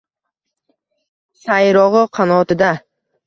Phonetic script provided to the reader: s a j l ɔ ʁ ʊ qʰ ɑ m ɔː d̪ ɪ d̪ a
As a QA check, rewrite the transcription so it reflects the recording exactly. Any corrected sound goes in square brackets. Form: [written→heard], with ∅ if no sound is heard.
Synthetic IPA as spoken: s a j [l→ɾ] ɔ ʁ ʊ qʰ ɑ [m→n] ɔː [d̪→t̪] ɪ d̪ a